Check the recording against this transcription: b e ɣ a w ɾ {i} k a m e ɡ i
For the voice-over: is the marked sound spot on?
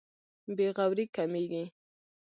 yes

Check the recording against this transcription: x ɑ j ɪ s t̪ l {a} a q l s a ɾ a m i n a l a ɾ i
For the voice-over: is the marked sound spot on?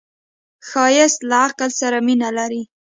yes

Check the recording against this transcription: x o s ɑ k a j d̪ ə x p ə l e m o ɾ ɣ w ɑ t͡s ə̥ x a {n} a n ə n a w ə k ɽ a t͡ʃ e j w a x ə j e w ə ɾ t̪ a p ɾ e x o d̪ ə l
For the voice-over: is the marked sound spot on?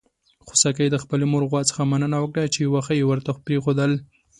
no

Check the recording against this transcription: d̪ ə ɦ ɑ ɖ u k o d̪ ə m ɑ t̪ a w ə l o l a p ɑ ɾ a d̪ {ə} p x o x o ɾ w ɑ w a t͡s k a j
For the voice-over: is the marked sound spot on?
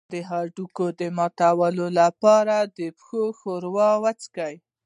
yes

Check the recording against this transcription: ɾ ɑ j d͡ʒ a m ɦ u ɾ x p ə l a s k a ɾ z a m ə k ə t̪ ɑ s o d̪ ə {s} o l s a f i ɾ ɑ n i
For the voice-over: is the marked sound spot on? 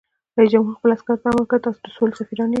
yes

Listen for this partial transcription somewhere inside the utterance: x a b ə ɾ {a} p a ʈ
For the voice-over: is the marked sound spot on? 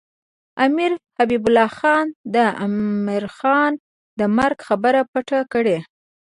yes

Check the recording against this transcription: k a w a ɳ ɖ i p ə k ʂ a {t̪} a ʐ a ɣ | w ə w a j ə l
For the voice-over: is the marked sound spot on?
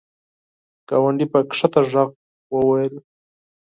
yes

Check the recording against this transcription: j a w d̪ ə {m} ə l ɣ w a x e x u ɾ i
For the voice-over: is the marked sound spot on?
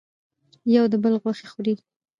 no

